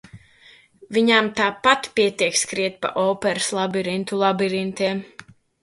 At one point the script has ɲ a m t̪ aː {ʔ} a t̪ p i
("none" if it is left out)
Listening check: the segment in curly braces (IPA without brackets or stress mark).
p